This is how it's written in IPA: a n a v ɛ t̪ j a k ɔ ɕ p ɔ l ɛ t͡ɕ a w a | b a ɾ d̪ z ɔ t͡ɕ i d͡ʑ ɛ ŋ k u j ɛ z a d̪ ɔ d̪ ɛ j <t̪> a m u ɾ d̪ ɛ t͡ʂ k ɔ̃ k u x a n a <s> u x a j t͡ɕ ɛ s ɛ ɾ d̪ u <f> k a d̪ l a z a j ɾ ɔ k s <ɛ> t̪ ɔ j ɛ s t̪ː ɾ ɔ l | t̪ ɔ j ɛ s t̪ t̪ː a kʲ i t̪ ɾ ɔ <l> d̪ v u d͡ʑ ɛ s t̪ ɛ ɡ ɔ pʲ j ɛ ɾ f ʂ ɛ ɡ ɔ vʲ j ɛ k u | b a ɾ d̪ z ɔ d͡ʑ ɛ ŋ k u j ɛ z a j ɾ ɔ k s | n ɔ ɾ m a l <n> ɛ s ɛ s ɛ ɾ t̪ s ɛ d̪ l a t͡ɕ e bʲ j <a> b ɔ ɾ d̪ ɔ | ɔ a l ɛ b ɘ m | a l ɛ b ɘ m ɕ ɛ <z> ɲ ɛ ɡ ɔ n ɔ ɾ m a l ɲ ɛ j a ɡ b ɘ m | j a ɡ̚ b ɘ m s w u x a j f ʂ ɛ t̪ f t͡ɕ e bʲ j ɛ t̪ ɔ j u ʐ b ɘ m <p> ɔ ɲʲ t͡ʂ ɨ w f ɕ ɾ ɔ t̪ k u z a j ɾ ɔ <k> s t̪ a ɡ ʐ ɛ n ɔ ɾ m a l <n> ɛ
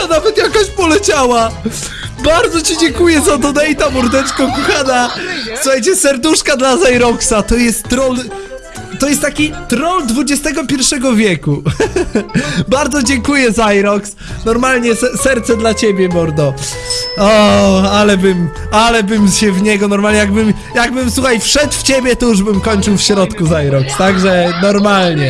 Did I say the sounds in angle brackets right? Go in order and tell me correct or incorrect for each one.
correct, correct, incorrect: ʂ, incorrect: a, correct, incorrect: ɲ, incorrect: ɛ, incorrect: v, incorrect: k, correct, incorrect: ɲ

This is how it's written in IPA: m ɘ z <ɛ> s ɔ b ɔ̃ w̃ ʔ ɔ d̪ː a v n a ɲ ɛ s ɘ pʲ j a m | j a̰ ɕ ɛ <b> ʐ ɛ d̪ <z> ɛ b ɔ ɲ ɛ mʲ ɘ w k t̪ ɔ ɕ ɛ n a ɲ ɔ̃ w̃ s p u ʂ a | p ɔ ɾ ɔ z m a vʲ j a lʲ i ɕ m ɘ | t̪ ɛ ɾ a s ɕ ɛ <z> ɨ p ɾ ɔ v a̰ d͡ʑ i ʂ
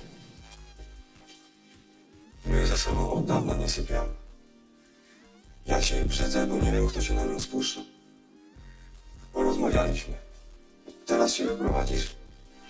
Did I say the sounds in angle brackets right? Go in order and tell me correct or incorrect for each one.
incorrect: a, correct, correct, incorrect: v

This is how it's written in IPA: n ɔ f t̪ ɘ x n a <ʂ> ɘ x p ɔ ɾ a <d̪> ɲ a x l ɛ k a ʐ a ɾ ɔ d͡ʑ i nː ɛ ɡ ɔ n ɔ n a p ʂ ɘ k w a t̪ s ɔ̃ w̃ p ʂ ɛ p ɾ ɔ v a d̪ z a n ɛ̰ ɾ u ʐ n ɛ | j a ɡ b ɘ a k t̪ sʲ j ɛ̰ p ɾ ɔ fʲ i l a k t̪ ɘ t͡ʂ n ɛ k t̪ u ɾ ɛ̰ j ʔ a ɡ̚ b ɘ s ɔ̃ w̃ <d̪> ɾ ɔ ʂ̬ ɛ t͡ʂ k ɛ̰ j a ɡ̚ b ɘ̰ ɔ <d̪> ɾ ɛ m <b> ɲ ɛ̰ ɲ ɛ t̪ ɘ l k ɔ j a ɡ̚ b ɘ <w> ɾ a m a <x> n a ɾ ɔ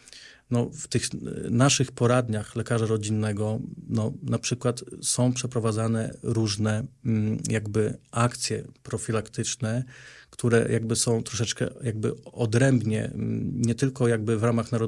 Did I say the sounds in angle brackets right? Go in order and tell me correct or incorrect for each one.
correct, correct, incorrect: t̪, correct, correct, incorrect: v, correct

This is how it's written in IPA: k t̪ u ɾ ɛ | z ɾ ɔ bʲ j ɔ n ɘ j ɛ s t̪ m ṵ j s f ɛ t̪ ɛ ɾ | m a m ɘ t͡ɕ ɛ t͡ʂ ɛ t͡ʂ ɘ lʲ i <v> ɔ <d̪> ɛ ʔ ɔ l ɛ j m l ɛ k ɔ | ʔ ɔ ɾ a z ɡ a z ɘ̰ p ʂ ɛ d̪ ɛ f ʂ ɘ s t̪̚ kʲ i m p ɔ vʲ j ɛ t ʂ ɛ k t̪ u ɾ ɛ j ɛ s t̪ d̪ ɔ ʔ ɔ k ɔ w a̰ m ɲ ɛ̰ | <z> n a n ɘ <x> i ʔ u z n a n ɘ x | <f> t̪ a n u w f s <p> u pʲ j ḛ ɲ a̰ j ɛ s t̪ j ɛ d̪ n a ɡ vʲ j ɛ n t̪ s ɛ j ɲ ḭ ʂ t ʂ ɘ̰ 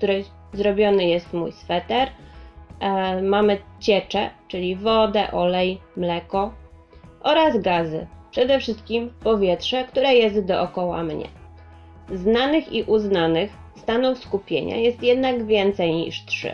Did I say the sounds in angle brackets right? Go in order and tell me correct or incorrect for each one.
correct, correct, correct, correct, incorrect: s, incorrect: k

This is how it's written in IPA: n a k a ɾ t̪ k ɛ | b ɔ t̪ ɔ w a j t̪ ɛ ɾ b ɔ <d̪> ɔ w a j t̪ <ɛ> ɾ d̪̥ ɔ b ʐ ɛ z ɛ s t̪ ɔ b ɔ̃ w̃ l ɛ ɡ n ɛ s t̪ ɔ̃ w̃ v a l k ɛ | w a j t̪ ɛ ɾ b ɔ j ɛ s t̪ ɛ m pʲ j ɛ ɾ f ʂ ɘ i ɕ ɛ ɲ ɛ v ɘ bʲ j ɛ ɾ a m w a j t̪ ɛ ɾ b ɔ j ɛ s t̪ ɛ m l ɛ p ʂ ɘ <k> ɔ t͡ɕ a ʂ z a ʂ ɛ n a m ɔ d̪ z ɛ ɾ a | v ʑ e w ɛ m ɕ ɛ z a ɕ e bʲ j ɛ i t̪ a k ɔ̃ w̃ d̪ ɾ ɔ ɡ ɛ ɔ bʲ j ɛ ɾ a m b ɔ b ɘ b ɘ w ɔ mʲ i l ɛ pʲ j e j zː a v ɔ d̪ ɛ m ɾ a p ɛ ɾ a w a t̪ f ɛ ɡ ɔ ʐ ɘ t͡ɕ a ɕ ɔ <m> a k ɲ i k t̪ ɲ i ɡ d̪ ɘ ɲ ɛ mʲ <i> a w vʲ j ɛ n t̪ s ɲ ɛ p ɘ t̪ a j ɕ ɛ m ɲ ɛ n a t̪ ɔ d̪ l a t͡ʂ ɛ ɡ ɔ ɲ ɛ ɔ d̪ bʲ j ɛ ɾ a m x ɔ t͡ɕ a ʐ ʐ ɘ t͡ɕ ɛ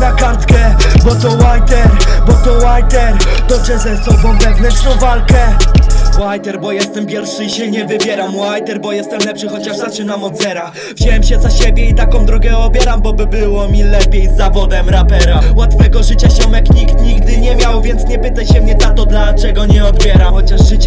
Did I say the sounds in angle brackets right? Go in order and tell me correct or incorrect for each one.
incorrect: t̪, correct, incorrect: x, correct, incorrect: j

